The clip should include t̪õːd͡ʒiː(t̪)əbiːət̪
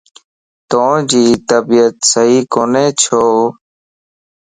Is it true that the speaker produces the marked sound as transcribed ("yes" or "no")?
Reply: yes